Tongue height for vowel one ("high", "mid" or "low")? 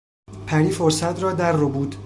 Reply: low